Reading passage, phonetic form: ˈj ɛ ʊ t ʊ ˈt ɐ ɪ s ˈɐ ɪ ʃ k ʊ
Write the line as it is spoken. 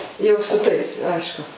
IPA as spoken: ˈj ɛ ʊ s ʊ ˈt ɐ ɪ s ˈɐ ɪ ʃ k ʊ